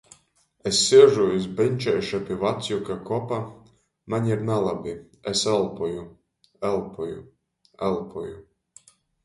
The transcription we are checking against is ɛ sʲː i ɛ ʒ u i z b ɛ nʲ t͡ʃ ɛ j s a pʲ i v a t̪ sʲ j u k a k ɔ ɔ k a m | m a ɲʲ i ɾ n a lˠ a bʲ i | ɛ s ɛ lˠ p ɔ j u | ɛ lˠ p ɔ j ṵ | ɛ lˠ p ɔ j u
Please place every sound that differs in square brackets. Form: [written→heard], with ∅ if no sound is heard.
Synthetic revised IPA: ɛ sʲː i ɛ ʒ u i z b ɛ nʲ t͡ʃ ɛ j [s→ʃ] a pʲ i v a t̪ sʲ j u k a k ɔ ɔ [k→p] a [m→∅] | m a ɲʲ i ɾ n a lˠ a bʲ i | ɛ s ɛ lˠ p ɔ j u | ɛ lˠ p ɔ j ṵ | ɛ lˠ p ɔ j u